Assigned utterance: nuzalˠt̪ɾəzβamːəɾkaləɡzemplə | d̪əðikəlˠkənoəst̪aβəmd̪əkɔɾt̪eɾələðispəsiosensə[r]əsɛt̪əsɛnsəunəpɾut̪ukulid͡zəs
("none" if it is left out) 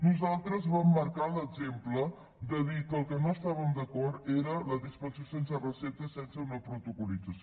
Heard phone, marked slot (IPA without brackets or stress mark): r